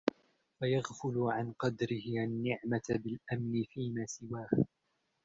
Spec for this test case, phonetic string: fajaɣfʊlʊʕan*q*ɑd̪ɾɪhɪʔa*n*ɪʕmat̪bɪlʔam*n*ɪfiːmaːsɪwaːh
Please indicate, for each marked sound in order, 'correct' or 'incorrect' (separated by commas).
correct, incorrect, correct